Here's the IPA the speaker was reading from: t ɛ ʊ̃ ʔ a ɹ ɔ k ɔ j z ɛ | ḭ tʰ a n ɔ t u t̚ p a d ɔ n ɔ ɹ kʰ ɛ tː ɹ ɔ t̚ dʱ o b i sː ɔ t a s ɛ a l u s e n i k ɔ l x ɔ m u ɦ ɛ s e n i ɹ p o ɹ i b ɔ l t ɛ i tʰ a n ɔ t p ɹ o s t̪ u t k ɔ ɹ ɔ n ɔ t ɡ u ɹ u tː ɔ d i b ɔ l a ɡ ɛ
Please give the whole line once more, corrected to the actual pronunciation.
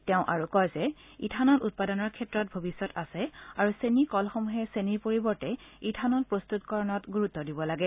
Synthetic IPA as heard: t ɛ ʊ̃ ʔ a ɹ u k ɔ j z ɛ | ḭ tʰ a n ɔ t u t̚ p a d ɔ n ɔ ɹ kʰ ɛ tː ɹ ɔ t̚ bʱ o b i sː ɔ t a s ɛ a ɹ u s e n i k ɔ l x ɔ m u ɦ ɛ s e n i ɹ p o ɹ i b ɔ ɹ t ɛ i tʰ a n ɔ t p ɹ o s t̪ u t k ɔ ɹ ɔ n ɔ t ɡ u ɹ u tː ɔ d i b ɔ l a ɡ ɛ